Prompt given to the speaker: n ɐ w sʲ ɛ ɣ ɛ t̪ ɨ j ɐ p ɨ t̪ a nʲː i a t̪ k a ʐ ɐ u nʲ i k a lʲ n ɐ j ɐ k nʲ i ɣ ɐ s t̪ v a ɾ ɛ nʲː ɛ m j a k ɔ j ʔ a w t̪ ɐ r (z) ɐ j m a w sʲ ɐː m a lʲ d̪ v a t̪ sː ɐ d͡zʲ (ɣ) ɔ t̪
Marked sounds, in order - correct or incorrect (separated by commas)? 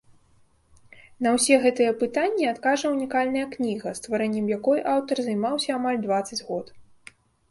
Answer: correct, correct